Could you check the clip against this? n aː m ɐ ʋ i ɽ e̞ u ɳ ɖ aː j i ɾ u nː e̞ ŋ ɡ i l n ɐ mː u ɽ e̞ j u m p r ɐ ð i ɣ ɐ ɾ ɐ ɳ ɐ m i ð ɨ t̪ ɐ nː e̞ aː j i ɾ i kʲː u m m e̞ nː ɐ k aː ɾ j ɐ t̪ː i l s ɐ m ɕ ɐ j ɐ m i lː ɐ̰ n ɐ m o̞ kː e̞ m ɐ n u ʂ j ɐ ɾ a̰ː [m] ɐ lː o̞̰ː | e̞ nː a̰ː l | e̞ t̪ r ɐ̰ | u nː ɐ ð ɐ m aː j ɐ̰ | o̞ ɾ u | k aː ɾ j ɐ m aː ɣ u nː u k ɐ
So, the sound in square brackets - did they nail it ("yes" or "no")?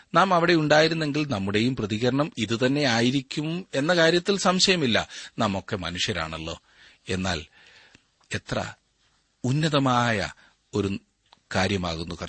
no